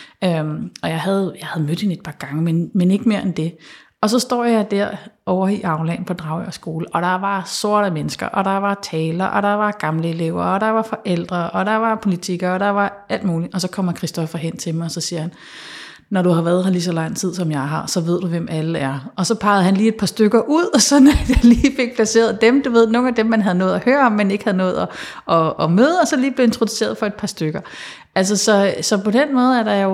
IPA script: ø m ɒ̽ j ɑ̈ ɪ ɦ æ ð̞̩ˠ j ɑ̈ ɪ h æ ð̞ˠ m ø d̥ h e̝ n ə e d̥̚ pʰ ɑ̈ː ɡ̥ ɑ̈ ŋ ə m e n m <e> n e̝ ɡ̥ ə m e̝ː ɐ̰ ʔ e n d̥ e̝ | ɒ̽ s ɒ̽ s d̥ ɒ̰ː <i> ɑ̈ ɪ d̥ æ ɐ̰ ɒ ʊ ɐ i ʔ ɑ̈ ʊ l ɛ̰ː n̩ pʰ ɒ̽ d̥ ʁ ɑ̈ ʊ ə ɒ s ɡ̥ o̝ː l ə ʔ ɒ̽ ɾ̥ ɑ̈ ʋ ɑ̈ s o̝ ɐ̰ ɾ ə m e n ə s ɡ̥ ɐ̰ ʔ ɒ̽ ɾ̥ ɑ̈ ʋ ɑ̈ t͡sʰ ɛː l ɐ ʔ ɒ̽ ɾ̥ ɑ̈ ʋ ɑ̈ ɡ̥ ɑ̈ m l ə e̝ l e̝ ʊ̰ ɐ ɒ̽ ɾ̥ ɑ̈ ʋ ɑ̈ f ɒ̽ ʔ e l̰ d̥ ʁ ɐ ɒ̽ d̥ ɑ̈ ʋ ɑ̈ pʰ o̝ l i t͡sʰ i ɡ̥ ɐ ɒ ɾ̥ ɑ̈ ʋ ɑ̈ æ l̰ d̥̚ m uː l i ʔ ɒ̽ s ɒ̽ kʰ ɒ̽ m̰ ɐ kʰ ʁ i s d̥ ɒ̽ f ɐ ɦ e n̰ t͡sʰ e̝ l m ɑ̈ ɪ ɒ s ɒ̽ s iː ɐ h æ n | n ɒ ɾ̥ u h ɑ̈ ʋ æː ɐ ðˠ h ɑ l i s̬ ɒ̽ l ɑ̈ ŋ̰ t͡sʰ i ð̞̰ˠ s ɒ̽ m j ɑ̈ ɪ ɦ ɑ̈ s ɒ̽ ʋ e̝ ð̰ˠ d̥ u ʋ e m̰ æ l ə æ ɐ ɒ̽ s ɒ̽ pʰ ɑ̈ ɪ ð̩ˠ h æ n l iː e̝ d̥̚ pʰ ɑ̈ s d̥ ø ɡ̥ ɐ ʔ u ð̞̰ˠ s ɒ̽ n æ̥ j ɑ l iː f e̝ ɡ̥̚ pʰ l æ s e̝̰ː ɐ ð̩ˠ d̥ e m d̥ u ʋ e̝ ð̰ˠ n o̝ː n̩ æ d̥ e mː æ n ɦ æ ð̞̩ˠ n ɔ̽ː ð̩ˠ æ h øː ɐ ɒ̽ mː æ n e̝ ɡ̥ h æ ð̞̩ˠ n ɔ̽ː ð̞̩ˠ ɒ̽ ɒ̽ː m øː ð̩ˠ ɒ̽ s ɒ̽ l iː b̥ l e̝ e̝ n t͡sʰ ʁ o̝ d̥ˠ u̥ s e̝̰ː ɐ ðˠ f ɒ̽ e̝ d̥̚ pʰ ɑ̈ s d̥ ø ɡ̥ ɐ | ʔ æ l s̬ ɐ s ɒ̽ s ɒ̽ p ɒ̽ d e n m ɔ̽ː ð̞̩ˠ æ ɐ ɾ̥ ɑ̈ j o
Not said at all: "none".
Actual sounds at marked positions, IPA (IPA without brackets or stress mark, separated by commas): e, j